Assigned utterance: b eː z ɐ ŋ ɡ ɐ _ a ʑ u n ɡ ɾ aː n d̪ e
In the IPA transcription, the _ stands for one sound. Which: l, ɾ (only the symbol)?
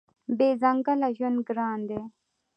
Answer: l